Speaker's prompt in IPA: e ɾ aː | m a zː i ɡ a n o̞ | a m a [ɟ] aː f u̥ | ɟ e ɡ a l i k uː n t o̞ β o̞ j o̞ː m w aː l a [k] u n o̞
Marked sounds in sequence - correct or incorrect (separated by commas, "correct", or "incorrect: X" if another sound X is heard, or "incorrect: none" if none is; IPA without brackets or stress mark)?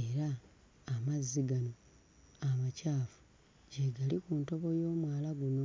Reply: incorrect: c, incorrect: ɡ